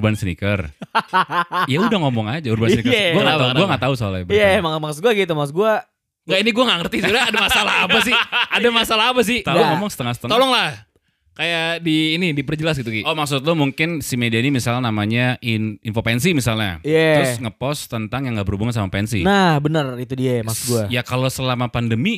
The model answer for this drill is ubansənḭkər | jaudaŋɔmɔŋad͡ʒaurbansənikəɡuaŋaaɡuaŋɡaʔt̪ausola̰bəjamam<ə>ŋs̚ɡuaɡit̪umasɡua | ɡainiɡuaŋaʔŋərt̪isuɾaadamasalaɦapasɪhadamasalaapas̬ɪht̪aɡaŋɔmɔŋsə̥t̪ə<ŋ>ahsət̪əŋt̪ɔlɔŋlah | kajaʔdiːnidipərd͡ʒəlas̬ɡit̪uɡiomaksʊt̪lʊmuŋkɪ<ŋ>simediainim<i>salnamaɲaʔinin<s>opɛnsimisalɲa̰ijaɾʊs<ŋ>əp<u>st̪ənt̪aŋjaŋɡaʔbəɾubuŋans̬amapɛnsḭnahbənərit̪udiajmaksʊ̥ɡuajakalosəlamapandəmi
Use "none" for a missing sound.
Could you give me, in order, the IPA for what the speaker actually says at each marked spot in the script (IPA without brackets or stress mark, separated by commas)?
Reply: a, ŋ, n, i, f, ŋ, ɔ